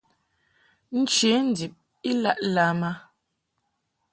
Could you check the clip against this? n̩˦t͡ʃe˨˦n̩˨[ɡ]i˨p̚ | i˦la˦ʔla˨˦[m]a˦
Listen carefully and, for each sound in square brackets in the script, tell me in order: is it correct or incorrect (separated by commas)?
incorrect, correct